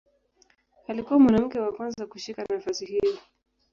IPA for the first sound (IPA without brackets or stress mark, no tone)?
a